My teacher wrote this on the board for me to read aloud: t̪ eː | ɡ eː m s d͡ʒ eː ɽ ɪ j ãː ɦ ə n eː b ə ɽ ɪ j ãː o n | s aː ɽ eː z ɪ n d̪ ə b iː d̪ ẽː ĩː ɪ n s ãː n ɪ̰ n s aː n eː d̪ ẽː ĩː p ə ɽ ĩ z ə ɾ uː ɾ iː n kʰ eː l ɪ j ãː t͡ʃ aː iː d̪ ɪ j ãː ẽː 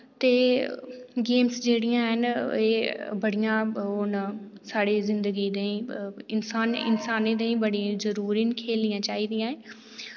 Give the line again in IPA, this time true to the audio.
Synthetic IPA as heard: t̪ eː | ɡ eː m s d͡ʒ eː ɽ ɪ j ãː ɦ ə n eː b ə ɽ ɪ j ãː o n | s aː ɽ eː z ɪ n d̪ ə ɡ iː d̪ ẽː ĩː ɪ n s aː n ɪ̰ n s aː n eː d̪ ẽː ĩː b ə ɽ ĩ z ə ɾ uː ɾ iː n kʰ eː l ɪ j ãː t͡ʃ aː iː d̪ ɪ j ãː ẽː